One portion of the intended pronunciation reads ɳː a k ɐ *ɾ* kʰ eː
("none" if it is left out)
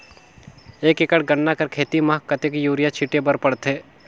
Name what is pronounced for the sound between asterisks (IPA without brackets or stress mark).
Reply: ɾ